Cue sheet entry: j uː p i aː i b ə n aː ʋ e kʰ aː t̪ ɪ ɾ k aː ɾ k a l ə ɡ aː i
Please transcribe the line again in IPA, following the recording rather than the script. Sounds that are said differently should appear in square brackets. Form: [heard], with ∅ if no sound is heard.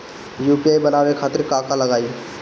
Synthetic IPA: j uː p i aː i b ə n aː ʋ e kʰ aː t̪ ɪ ɾ k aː [∅] k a l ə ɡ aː i

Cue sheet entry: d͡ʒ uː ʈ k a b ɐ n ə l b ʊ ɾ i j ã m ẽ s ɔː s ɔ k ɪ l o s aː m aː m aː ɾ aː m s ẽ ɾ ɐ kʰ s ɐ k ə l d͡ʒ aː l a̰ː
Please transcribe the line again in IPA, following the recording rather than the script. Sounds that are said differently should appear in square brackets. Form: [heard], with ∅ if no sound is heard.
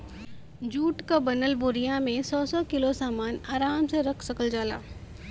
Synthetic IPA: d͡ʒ uː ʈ k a b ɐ n ə l b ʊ ɾ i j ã m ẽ s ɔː s ɔ k ɪ l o s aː m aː [n] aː ɾ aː m s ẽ ɾ ɐ kʰ s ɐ k ə l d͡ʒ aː l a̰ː

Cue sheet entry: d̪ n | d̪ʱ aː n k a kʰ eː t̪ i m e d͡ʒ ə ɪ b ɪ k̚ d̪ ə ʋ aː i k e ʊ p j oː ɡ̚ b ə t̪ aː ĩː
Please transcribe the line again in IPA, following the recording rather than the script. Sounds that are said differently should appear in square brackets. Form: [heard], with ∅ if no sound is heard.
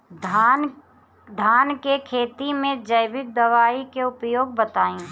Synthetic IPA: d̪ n | d̪ʱ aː n k [e] kʰ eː t̪ i m [ẽ] d͡ʒ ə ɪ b ɪ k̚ d̪ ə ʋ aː i k e ʊ p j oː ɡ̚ b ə t̪ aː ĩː

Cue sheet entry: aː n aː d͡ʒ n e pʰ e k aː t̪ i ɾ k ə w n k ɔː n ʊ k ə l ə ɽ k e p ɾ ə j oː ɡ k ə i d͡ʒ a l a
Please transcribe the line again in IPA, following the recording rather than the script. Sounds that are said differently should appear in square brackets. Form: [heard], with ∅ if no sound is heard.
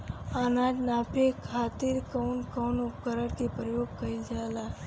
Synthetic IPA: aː n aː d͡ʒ n [a] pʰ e [kʰ] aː t̪ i ɾ k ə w n k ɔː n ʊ k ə [ɾ] ə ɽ k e p ɾ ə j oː ɡ k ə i d͡ʒ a l a

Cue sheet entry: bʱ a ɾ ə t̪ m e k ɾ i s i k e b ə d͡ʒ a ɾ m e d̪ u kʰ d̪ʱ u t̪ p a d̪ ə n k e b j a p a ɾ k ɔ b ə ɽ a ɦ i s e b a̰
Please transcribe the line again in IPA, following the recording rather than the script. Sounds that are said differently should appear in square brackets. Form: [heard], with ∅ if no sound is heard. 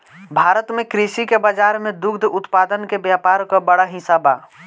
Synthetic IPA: bʱ a ɾ ə t̪ m e k ɾ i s i k e b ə d͡ʒ a ɾ m e d̪ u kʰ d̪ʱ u t̪ p a d̪ ə n k e b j a p a ɾ k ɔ b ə ɽ a ɦ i s [a] b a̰

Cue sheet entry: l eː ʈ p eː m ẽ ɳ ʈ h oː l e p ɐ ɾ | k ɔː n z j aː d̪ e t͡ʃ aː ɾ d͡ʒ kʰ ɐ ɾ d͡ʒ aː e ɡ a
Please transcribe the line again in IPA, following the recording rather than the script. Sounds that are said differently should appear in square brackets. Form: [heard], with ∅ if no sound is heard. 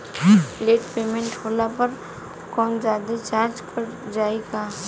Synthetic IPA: l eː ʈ p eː m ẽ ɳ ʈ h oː l [a] p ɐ ɾ | k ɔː n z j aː d̪ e t͡ʃ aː ɾ d͡ʒ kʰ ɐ ɾ d͡ʒ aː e ɡ a

